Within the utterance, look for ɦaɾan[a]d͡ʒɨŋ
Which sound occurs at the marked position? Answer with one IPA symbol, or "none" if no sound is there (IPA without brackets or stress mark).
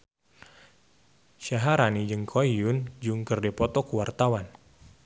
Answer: i